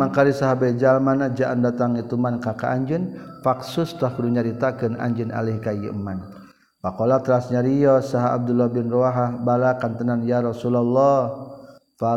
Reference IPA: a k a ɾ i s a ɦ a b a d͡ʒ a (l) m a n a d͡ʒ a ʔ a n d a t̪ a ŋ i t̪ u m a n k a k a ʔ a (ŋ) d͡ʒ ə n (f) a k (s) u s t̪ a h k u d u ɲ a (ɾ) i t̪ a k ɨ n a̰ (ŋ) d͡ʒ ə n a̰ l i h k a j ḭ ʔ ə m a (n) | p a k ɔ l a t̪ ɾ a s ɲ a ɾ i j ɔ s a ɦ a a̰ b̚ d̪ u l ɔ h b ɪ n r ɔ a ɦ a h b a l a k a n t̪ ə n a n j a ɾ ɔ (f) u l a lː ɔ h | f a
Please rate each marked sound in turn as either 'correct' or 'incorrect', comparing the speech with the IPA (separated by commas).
correct, incorrect, correct, correct, correct, incorrect, correct, incorrect